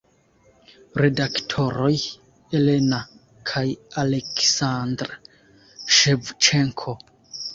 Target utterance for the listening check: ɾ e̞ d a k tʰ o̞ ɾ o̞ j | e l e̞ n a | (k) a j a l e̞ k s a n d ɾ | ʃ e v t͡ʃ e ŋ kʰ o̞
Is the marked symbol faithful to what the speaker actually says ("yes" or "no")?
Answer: no